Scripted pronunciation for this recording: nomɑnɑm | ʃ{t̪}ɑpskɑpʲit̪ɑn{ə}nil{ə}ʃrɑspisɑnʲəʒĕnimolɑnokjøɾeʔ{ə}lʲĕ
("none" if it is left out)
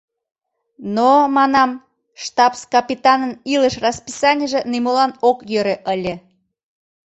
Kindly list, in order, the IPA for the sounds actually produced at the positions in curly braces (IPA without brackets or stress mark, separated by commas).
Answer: t̪, ə, ə, ə